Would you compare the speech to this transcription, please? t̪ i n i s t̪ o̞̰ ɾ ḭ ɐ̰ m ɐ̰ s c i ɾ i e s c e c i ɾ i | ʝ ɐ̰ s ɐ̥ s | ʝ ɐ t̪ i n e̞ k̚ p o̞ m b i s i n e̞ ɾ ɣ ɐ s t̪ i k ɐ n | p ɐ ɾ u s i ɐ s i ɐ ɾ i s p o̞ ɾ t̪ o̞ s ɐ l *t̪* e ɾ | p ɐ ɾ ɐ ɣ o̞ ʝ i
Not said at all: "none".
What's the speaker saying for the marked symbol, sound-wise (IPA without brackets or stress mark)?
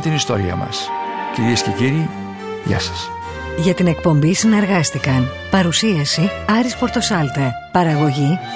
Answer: t̪